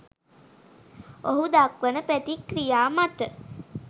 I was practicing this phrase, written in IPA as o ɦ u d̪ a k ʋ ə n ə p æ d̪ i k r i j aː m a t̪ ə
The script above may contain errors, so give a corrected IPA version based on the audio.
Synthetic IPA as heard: o ɦ u d̪ a k ʋ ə n ə p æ t̪ i k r i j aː m a t̪ ə